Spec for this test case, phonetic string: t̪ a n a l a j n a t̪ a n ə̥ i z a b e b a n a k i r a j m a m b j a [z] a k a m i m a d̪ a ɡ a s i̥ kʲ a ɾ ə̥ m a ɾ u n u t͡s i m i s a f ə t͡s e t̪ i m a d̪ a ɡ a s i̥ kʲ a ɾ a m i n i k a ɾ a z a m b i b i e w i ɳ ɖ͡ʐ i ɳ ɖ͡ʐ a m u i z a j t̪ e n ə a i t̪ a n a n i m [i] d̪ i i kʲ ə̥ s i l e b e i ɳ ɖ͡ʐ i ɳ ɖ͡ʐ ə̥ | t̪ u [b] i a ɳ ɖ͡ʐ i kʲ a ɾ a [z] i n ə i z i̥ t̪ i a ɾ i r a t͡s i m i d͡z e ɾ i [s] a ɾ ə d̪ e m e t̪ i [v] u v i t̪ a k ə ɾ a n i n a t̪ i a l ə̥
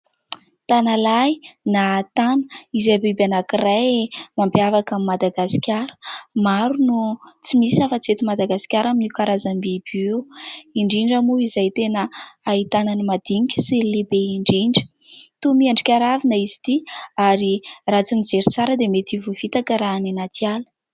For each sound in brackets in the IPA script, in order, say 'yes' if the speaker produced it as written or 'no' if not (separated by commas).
no, no, no, no, no, yes